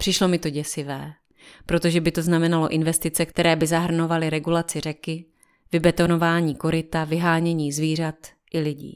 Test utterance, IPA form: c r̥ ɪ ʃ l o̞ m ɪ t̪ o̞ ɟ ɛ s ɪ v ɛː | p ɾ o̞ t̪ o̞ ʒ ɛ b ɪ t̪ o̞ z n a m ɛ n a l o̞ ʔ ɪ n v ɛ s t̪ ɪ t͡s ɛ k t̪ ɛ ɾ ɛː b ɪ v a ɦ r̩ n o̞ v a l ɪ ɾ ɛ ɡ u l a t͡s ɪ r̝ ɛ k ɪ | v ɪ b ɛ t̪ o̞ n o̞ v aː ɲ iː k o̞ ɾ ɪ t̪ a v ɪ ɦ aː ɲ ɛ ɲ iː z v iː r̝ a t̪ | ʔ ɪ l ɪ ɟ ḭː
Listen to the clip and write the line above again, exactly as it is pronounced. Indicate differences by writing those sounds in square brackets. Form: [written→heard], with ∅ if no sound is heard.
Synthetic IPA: [c→p] r̥ ɪ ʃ l o̞ m ɪ t̪ o̞ ɟ ɛ s ɪ v ɛː | p ɾ o̞ t̪ o̞ ʒ ɛ b ɪ t̪ o̞ z n a m ɛ n a l o̞ ʔ ɪ n v ɛ s t̪ ɪ t͡s ɛ k t̪ ɛ ɾ ɛː b ɪ [v→z] a ɦ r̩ n o̞ v a l ɪ ɾ ɛ ɡ u l a t͡s ɪ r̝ ɛ k ɪ | v ɪ b ɛ t̪ o̞ n o̞ v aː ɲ iː k o̞ ɾ ɪ t̪ a v ɪ ɦ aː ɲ ɛ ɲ iː z v iː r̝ a t̪ | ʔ ɪ l ɪ ɟ ḭː